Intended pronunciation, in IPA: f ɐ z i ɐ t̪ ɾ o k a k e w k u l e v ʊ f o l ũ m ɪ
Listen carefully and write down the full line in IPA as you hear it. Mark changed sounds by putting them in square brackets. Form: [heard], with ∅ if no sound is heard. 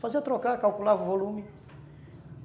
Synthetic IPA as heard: f [a] z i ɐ t̪ ɾ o k a k [a] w k u l [a] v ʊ [v] o l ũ m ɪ